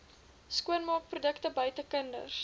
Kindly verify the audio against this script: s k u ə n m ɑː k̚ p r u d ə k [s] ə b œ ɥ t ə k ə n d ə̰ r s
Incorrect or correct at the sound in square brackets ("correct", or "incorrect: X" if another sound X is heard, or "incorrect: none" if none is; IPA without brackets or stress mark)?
incorrect: t